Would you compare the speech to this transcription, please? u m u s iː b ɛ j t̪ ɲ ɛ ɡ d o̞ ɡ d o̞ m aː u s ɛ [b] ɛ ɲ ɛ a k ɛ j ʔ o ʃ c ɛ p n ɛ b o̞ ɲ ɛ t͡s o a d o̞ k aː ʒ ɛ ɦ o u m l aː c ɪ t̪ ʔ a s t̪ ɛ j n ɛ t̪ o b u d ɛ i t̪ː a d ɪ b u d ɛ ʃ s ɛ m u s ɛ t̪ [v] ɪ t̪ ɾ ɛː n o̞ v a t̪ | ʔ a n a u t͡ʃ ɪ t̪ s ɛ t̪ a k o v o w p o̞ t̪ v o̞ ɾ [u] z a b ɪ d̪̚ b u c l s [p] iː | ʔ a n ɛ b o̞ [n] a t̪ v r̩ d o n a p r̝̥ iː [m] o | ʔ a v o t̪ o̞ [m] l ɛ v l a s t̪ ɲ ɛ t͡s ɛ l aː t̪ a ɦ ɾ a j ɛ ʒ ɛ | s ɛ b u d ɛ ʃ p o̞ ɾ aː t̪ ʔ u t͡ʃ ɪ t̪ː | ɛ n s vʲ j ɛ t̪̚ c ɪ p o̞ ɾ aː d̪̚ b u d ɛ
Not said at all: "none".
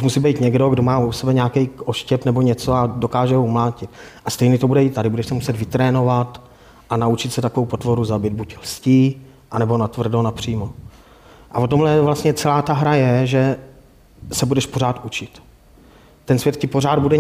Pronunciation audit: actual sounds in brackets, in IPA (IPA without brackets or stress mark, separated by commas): b, v, u, c, n, m, m